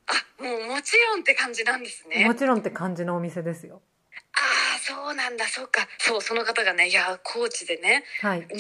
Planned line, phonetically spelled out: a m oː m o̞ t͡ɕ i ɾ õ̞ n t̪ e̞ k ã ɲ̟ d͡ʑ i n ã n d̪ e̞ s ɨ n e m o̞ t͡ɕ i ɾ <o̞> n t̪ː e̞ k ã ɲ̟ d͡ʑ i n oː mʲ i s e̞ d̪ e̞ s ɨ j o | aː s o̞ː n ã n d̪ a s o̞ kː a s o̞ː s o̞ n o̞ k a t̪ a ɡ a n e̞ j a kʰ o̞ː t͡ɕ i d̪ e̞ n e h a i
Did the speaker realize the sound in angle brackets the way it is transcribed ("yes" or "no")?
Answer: no